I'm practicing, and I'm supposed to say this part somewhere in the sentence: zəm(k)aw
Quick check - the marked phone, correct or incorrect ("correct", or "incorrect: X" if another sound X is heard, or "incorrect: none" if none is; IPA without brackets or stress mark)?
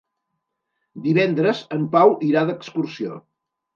incorrect: p